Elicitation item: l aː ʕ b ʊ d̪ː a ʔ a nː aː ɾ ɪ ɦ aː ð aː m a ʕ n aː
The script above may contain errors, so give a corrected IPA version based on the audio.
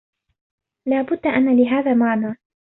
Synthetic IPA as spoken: l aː b ʊ d̪ː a ʔ a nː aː l ɪ ɦ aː ð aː m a ʕ n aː